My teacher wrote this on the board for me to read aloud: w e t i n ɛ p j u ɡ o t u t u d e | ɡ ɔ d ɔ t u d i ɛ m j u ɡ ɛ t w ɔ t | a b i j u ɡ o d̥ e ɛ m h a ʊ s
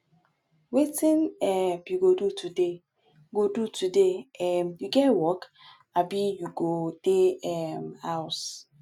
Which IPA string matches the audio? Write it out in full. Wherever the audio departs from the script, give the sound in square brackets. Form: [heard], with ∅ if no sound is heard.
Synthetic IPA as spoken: w e t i n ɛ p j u ɡ o [d] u t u d e | ɡ [o] d [u] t u d [e] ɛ m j u ɡ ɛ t w ɔ [k] | a b i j u ɡ o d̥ e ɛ m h a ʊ s